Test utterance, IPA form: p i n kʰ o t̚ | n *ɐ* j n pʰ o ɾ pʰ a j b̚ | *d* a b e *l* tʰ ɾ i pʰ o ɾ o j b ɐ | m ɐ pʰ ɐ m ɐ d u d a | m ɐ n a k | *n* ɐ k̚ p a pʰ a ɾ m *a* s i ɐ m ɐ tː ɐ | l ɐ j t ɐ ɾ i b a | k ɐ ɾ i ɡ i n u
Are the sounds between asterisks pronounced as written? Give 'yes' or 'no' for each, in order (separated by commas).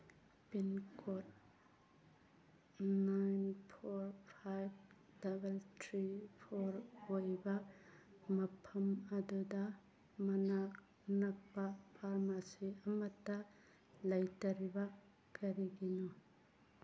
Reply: no, yes, yes, yes, yes